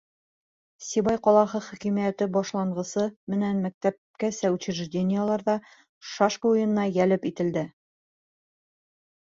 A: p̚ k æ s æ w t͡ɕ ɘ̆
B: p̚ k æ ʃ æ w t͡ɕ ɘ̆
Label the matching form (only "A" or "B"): A